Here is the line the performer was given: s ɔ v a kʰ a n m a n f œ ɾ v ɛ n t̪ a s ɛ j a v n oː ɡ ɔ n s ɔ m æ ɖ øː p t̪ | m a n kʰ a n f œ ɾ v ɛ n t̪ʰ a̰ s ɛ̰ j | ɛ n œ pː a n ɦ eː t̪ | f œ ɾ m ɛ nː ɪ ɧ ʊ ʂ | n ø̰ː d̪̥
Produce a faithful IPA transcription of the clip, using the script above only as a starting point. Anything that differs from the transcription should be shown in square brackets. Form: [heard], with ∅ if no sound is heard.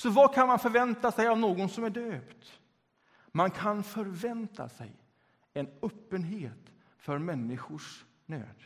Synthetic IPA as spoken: s ɔ v a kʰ a n m a n f œ ɾ v ɛ n t̪ a s ɛ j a v n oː ɡ ɔ n s ɔ m æ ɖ øː p t̪ | m a n kʰ a n f œ ɾ v ɛ n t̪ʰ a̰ s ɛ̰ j | ɛ n œ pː [ə] n ɦ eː t̪ | f œ ɾ m ɛ nː ɪ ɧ ʊ ʂ | n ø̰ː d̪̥